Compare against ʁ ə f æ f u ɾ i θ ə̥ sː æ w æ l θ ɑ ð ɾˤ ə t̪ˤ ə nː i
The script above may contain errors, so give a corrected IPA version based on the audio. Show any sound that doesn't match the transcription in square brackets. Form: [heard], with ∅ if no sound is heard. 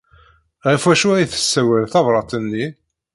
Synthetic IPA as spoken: ʁ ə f æ [ʃ] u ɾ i θ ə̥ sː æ w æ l θ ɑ [v] ɾˤ [ɑ] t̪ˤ ə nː i